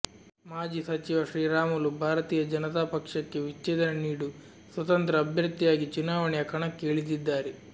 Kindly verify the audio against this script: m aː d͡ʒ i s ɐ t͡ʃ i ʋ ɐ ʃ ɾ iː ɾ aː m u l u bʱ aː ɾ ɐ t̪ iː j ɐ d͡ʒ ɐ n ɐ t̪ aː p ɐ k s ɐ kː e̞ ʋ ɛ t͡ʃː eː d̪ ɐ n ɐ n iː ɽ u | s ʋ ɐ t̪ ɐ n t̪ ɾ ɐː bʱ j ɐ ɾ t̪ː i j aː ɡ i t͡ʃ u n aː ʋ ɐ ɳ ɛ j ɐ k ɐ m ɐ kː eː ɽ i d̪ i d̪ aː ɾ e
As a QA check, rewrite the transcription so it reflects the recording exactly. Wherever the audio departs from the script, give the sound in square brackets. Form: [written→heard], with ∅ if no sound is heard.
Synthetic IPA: m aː d͡ʒ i s ɐ t͡ʃ i ʋ ɐ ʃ ɾ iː ɾ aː m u l u bʱ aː ɾ ɐ t̪ iː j ɐ d͡ʒ ɐ n ɐ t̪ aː p ɐ k [s→ʂ] ɐ kː e̞ ʋ [ɛ→i] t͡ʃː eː d̪ ɐ n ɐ n iː ɽ u | s ʋ ɐ t̪ ɐ n t̪ ɾ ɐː bʱ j ɐ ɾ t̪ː i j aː ɡ i t͡ʃ u n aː ʋ ɐ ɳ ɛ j ɐ k ɐ [m→ɳ] ɐ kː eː [ɽ→ɭ] i d̪ i [d̪→d̪ː] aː ɾ e